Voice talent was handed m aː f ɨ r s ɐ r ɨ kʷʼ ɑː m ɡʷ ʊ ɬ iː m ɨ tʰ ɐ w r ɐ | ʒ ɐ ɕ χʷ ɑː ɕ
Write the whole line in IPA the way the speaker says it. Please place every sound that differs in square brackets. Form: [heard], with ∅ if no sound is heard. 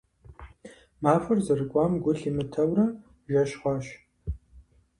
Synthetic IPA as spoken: m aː f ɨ r [z] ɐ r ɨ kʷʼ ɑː m ɡʷ ʊ ɬ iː m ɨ tʰ ɐ w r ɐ | ʒ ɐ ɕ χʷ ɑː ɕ